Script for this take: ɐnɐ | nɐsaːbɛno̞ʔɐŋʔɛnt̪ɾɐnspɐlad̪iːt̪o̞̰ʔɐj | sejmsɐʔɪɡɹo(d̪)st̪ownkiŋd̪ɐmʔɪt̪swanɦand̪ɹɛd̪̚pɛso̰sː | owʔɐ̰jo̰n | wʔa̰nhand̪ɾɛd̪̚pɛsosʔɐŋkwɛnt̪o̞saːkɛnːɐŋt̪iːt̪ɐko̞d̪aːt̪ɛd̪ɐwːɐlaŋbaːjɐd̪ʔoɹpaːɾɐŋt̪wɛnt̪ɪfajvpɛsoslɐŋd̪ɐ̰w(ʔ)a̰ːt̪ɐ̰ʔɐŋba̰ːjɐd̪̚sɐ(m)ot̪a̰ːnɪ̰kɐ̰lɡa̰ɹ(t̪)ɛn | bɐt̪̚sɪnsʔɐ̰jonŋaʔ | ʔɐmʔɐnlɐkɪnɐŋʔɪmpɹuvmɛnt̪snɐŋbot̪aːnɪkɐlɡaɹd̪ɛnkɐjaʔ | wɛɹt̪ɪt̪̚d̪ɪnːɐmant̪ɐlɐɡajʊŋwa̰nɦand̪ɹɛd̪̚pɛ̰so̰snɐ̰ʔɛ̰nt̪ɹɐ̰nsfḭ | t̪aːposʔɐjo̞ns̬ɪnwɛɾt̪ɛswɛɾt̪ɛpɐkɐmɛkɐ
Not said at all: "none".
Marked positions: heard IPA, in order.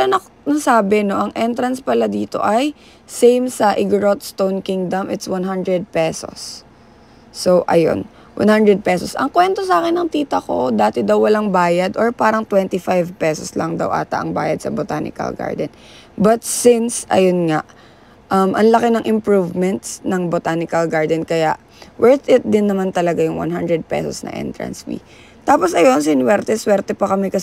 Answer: t̪, ʔ, b, d̪

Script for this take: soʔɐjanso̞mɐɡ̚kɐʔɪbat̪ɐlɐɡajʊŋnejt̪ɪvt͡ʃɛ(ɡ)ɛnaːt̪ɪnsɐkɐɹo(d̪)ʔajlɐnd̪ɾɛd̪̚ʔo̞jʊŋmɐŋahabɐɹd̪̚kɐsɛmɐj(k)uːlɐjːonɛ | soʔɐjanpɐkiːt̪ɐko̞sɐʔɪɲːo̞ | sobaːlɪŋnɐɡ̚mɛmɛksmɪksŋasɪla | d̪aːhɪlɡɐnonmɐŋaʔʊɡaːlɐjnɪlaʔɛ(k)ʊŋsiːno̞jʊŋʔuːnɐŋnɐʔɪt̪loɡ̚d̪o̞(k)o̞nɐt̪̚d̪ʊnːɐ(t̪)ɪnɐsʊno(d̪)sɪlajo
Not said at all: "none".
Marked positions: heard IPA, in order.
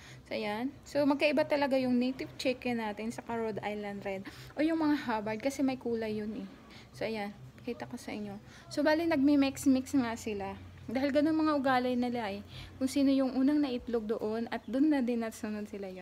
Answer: k, d̪, k, k, ʔ, d̪, d̪

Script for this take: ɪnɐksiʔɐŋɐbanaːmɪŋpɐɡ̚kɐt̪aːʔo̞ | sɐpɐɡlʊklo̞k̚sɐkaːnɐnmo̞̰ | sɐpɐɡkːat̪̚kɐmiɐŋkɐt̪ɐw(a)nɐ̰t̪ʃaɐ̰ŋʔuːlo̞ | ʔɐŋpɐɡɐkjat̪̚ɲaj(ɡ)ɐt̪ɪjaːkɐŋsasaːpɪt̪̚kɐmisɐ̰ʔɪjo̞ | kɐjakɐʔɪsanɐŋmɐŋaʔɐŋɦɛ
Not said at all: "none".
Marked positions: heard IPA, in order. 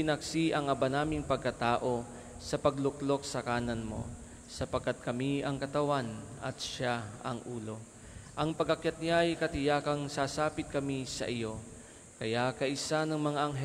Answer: a, k

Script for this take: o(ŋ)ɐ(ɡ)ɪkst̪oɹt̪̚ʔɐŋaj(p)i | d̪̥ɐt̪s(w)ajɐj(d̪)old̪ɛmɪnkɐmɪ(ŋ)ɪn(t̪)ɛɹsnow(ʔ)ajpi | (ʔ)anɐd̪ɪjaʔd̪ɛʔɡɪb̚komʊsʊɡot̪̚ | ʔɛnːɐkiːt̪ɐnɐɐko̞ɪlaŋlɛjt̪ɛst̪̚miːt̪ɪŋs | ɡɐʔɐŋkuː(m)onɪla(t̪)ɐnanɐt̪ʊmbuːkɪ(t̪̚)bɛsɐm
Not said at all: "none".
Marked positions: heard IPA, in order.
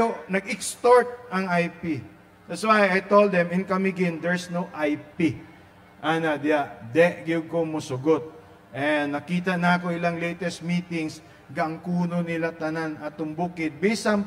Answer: n, ɡ, p, w, t̪, ɡ, d̪, ʔ, ʔ, n, t̪, d̪̚

